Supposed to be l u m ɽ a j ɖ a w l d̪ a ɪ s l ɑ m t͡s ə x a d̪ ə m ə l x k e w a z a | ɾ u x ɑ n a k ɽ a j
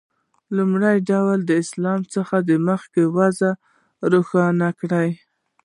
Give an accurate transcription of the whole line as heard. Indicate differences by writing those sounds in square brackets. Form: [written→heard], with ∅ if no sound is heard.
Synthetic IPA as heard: l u m ɽ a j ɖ a w l d̪ [a→ə] ɪ s l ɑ m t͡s ə x a d̪ ə m ə [l→∅] x k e w a z a | ɾ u x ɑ n a k ɽ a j